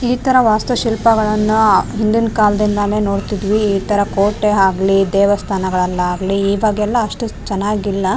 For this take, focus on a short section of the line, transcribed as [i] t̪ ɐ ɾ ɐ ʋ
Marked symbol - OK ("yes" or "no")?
no